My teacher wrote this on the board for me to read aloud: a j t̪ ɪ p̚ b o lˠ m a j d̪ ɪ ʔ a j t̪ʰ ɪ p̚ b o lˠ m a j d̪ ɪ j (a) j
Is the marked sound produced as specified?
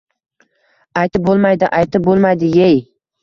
no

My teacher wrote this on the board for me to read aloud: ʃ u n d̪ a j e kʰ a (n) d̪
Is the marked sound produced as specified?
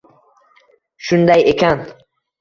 yes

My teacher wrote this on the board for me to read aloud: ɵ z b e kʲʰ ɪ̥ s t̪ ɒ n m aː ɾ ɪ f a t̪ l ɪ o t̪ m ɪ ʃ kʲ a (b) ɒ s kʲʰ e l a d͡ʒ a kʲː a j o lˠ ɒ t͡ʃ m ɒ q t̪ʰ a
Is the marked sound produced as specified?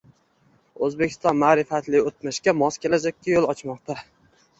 no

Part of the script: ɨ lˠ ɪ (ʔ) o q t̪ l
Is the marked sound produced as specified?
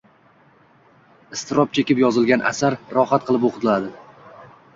no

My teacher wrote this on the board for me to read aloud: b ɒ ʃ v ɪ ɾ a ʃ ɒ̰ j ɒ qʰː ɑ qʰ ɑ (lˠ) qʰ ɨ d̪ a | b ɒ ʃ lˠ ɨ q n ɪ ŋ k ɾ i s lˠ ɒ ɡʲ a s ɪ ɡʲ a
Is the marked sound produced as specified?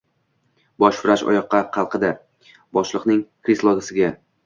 yes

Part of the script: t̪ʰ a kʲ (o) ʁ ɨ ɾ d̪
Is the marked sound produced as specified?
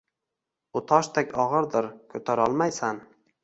no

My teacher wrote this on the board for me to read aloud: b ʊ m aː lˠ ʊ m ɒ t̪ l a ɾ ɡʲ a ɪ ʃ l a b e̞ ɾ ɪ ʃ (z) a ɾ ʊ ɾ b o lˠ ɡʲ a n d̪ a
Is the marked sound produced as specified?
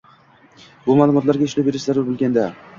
yes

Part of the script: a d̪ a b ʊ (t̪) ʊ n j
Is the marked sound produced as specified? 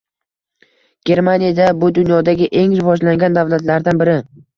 no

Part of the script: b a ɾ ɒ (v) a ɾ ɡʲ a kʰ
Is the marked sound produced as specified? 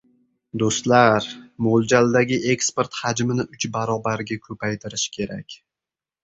no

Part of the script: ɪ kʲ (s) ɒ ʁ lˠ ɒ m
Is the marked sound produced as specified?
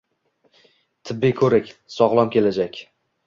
yes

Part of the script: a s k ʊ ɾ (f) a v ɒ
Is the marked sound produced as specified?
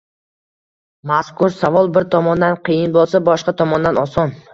no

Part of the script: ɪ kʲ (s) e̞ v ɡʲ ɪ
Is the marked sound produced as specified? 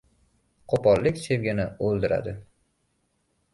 yes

